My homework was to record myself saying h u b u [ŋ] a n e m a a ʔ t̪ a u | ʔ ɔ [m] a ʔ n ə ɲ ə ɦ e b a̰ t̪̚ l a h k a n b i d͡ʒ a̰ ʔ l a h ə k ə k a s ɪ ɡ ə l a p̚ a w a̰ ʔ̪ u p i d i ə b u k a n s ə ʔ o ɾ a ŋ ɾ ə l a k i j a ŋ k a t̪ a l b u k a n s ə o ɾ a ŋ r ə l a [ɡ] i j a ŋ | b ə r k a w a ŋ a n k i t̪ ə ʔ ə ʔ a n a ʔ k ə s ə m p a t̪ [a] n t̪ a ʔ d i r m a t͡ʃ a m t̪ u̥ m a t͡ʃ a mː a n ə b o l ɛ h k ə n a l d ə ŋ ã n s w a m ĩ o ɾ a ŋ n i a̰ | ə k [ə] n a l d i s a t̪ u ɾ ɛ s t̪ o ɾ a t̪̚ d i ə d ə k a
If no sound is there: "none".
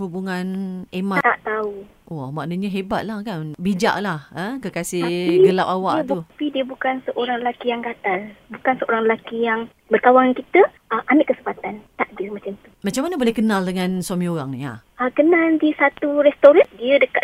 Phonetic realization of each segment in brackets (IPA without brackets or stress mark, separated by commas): ŋ, m, k, a, ə